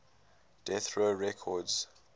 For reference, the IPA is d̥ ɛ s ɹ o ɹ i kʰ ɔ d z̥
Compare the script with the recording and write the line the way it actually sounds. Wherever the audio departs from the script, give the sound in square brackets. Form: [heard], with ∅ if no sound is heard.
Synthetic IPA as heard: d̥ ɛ [θ] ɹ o ɹ [ɛ] kʰ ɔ d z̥

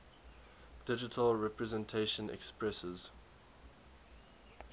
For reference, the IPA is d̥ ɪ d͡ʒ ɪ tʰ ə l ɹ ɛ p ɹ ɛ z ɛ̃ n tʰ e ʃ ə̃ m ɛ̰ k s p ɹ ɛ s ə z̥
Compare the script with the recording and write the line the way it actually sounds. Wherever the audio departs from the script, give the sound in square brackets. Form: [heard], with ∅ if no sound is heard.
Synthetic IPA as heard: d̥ ɪ d͡ʒ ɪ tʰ ə l ɹ ɛ p ɹ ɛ z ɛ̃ n tʰ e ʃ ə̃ [n] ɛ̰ k s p ɹ ɛ s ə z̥

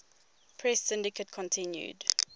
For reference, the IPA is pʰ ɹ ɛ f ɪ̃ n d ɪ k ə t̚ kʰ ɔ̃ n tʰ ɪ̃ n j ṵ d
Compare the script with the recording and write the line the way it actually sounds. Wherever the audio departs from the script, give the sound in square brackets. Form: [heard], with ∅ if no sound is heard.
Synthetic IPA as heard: pʰ ɹ ɛ [s] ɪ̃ n d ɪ k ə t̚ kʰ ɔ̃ n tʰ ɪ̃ n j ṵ d

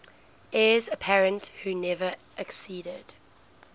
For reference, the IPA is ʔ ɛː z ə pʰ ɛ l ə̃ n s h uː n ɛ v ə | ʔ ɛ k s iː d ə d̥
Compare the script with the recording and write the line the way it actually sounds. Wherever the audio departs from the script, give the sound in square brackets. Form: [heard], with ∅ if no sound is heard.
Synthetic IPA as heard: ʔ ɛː z ə pʰ ɛ [ɹ] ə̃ n [t] h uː n ɛ v ə | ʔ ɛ k s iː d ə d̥

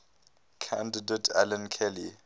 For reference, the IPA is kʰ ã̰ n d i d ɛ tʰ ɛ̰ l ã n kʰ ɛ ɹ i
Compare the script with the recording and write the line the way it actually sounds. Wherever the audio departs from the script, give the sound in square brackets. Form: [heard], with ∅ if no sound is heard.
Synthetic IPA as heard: kʰ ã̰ n d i d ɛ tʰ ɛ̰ l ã n kʰ ɛ [l] i

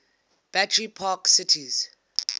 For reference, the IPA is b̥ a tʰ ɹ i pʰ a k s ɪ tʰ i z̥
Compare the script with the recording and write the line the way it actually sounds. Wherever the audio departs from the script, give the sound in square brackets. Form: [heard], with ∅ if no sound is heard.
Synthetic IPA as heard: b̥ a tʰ ɹ i pʰ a k s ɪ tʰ i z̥

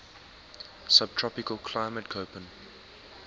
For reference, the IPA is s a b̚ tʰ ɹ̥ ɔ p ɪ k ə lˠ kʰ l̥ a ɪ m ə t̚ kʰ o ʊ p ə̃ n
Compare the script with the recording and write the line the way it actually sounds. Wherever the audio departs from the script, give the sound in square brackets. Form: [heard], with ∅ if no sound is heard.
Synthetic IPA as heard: s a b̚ tʰ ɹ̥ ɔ p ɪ k ə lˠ kʰ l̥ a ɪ m ə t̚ kʰ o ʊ p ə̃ n

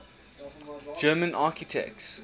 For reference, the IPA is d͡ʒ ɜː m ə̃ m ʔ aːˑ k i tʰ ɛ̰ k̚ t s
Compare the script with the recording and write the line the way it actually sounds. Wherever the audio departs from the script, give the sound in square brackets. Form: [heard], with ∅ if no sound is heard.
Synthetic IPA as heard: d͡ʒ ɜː m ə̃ [n] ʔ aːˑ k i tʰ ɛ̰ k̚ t s

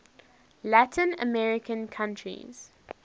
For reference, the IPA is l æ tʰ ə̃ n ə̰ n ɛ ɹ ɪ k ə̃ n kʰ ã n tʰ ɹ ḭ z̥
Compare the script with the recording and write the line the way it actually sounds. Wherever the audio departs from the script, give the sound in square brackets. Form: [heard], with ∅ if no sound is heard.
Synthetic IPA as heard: l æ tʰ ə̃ n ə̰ [m] ɛ ɹ ɪ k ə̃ n kʰ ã n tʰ ɹ ḭ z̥

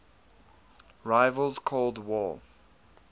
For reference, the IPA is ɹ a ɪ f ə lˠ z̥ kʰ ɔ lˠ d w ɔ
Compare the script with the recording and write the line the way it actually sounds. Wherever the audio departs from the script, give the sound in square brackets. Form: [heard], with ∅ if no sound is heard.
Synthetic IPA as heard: ɹ a ɪ [v] ə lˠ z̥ kʰ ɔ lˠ d w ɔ

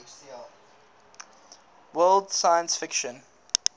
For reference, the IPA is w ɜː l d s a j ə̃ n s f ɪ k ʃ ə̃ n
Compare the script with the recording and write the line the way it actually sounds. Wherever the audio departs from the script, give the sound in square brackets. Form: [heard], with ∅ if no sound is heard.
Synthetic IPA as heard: w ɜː l d s a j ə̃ n s f ɪ k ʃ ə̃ n

